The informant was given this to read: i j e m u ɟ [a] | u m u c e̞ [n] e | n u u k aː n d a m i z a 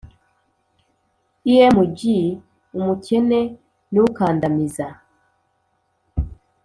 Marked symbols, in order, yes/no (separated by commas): no, yes